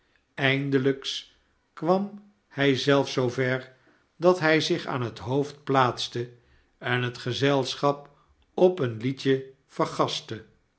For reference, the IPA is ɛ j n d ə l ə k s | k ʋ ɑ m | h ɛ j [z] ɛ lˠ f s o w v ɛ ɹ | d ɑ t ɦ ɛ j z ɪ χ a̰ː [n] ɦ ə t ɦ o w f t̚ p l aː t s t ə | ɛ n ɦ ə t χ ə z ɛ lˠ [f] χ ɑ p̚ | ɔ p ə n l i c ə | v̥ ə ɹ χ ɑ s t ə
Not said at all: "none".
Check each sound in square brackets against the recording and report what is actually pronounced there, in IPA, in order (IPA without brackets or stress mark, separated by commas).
z, n, s